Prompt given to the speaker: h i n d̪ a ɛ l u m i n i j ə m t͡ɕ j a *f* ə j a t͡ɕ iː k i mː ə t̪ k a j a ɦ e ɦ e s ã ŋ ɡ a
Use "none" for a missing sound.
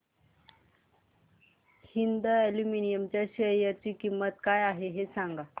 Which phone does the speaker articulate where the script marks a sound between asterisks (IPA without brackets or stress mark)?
ɕ